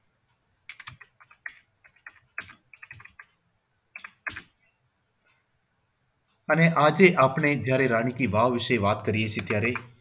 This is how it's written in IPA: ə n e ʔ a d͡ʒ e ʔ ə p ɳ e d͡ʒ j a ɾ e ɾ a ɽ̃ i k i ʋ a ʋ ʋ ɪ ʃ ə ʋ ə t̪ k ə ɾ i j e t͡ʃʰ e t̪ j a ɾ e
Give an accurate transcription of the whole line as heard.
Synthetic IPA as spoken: ə n e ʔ a d͡ʒ e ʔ a p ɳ e d͡ʒ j a ɾ e ɾ a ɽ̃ i k i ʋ a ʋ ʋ ɪ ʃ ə ʋ a t̪ k ə ɾ i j e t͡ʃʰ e t̪ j a ɾ e

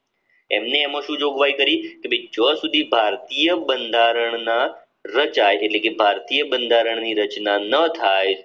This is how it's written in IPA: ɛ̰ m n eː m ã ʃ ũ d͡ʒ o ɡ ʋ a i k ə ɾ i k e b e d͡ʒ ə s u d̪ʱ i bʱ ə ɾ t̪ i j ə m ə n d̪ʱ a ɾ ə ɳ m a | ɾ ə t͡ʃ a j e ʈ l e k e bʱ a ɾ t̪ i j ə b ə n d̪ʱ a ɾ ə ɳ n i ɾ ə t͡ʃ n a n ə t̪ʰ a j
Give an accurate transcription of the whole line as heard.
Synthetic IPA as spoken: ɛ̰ m n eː m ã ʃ ũ d͡ʒ o ɡ ʋ a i k ə ɾ i k e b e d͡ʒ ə s u d̪ʱ i bʱ a ɾ t̪ i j ə b ə n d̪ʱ a ɾ ə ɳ n a | ɾ ə t͡ʃ a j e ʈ l e k e bʱ a ɾ t̪ i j ə b ə n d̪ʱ a ɾ ə ɳ n i ɾ ə t͡ʃ n a n ə t̪ʰ a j

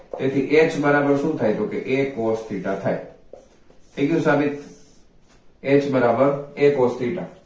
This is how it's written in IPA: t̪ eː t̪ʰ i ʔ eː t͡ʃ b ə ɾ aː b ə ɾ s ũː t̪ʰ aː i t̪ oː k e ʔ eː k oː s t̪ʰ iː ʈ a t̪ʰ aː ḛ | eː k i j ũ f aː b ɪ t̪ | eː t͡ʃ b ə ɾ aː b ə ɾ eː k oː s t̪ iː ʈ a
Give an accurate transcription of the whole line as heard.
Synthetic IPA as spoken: t̪ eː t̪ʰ i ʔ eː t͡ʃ b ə ɾ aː b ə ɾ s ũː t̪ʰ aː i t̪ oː k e ʔ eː k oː s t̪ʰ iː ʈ a t̪ʰ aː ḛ | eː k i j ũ s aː b ɪ t̪ | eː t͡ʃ b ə ɾ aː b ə ɾ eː k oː s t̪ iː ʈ a

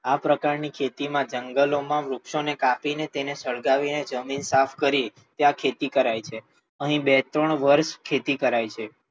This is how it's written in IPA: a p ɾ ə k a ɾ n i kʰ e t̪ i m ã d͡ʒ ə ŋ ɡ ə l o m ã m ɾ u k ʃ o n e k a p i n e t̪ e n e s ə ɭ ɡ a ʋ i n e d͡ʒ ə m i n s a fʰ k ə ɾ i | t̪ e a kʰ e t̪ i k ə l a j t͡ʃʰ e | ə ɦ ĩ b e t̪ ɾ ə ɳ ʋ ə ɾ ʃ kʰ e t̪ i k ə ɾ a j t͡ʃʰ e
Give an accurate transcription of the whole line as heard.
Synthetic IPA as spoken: a p ɾ ə k a ɾ n i kʰ e t̪ i m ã d͡ʒ ə ŋ ɡ ə l o m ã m ɾ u k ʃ o n e k a p i n e t̪ e n e s ə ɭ ɡ a ʋ i n e d͡ʒ ə m i n s a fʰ k ə ɾ i | t̪ e a kʰ e t̪ i k ə ɾ a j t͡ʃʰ e | ə ɦ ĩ b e t̪ ɾ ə ɳ ʋ ə ɾ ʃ kʰ e t̪ i k ə ɾ a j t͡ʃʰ e

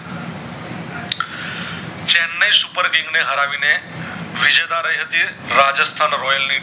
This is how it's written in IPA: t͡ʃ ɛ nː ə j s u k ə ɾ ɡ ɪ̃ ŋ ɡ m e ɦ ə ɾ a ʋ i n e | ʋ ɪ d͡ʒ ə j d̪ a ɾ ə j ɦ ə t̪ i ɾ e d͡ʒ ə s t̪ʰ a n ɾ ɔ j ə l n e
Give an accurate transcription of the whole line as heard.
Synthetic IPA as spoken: t͡ʃ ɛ nː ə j s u p ə ɾ ɡ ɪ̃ ŋ ɡ n e ɦ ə ɾ a ʋ i n e | ʋ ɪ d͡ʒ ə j d̪ a ɾ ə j ɦ ə t̪ i ɾ a d͡ʒ ə s t̪ʰ a n ɾ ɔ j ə l n i

